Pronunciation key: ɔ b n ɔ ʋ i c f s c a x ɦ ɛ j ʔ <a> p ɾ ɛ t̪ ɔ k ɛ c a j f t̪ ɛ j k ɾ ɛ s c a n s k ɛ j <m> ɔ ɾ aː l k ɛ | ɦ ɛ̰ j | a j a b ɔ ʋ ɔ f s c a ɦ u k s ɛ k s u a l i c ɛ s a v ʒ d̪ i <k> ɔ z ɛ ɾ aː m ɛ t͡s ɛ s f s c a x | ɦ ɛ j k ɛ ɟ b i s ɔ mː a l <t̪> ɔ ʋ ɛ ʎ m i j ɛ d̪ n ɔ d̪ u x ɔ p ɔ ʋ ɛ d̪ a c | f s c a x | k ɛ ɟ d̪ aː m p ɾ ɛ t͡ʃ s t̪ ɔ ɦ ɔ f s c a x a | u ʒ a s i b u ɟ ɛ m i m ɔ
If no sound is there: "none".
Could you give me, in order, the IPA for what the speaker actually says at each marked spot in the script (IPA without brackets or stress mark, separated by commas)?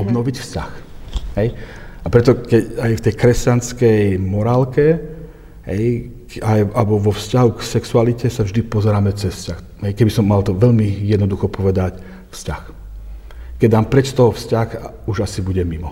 a, m, p, t̪